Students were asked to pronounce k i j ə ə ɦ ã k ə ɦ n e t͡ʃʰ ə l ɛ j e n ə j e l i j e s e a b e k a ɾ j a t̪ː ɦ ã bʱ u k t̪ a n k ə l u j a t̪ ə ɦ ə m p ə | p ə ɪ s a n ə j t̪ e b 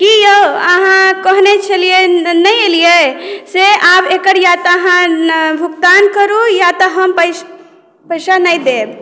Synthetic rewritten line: k i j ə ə ɦ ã k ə ɦ n e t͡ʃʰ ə l i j e n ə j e l i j e s e a b e k ə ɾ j a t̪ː ɦ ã bʱ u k t̪ a n k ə ɾ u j a t̪ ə ɦ ə m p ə | p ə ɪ s a n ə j d̪ e b